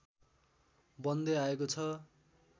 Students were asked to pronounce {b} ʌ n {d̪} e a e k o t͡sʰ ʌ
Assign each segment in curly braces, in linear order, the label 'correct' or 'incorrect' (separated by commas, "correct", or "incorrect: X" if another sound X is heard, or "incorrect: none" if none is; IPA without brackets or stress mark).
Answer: correct, correct